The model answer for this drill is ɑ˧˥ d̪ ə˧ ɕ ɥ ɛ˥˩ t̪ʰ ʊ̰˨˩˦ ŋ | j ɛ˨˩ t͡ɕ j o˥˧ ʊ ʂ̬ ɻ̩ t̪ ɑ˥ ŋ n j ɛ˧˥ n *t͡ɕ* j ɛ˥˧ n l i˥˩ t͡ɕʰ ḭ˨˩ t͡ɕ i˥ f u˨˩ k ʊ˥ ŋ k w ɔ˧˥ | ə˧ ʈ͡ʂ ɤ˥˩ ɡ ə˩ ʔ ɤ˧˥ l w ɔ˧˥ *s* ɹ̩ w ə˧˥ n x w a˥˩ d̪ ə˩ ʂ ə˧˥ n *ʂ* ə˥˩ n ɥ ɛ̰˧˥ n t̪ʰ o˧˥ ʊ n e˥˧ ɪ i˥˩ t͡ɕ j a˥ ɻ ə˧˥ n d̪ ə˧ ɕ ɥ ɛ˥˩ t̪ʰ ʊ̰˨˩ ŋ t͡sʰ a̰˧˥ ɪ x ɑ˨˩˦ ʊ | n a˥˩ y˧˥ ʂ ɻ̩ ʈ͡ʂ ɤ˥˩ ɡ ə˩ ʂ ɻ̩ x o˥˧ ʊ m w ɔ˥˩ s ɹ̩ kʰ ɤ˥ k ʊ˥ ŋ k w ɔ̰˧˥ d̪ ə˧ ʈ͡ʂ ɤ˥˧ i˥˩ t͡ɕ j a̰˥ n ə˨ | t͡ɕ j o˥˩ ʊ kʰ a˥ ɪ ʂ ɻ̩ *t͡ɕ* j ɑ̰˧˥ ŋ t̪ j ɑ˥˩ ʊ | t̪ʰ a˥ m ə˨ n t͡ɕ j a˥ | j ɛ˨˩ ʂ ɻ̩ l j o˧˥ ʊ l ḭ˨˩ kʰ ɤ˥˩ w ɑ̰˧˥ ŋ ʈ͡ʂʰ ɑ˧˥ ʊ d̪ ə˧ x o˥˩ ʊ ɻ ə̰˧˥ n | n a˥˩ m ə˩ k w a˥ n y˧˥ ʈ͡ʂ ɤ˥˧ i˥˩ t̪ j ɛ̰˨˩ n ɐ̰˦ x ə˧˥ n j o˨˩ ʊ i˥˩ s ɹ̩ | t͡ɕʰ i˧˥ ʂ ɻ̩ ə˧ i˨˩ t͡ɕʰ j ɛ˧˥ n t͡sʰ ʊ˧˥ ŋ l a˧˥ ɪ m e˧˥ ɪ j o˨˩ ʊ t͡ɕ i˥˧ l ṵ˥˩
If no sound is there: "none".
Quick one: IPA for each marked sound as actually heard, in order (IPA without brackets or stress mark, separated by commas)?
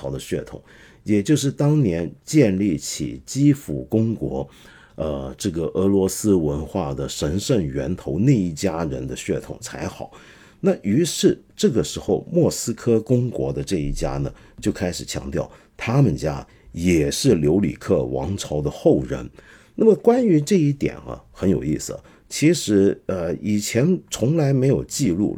t͡ɕ, s, ʂ, t͡ɕʰ